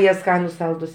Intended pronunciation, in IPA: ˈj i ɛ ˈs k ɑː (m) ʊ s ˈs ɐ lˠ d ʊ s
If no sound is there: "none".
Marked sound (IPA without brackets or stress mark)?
n